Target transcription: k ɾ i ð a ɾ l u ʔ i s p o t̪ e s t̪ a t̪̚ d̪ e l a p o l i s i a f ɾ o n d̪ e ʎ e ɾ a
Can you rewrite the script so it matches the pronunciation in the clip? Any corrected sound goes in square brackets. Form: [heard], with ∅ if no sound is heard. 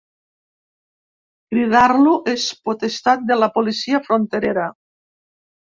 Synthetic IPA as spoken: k ɾ i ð a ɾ l u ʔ [e] s p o t̪ e s t̪ a t̪̚ d̪ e l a p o l i s i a f ɾ o n [t̪] e [ɾ] e ɾ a